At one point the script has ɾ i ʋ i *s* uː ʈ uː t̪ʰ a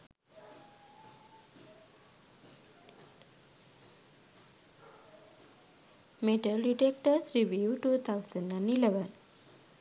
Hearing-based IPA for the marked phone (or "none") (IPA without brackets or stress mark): none